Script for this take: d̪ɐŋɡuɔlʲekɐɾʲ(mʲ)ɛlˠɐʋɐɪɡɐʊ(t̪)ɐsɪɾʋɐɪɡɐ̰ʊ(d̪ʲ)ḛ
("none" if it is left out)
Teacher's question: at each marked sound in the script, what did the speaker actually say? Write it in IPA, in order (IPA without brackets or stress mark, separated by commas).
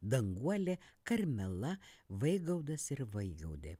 mʲ, d̪, d̪ʲ